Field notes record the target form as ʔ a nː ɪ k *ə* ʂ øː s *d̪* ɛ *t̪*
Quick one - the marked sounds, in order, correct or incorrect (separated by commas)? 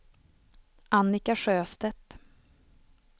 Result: incorrect, incorrect, correct